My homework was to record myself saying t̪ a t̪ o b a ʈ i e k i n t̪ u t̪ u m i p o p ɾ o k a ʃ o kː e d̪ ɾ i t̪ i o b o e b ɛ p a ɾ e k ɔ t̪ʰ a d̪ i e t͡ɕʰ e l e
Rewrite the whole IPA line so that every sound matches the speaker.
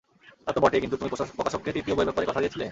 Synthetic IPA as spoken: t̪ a t̪ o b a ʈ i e k i n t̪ u t̪ u m i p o p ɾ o k a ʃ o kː e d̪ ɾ i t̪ i o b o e b ɛ p a ɾ e k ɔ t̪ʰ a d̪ i e t͡ɕʰ i l e

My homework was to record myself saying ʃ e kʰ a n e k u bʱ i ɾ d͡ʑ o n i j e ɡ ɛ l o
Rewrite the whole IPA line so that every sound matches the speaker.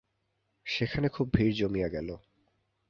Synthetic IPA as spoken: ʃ e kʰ a n e kʰ u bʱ i ɾ d͡ʑ o m i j a ɡ ɛ l o

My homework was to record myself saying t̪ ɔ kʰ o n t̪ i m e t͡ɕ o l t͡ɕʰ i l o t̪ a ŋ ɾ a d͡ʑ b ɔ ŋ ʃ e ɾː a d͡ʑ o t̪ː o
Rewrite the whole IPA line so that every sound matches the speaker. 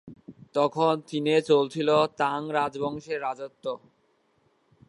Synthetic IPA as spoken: t̪ ɔ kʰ o n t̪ i n e t͡ɕ o l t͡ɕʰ i l o t̪ a ŋ ɾ a d͡ʑ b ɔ ŋ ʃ e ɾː a d͡ʑ o t̪ː o

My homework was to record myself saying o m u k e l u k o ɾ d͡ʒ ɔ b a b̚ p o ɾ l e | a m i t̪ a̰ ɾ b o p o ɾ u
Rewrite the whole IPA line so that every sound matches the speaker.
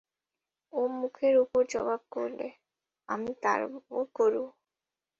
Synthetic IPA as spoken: o m u kʰ e ɾ u p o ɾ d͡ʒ ɔ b a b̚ k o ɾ l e | a m i t̪ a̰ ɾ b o k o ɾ u

